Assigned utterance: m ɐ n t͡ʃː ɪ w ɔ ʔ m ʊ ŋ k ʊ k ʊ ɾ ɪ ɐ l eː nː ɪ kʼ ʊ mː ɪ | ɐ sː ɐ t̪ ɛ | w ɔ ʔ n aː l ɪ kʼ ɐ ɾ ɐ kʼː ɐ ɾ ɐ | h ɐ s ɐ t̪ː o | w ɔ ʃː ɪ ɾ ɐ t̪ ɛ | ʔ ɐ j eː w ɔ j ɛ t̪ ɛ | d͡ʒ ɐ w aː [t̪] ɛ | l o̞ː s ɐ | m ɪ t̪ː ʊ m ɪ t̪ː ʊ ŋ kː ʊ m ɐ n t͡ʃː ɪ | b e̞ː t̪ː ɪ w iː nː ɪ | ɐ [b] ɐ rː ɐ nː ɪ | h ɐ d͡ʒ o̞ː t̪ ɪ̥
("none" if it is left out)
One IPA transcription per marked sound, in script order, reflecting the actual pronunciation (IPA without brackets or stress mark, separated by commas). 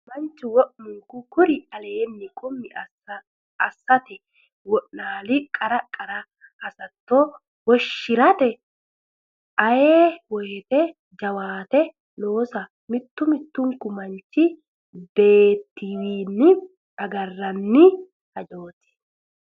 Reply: t̪, ɡ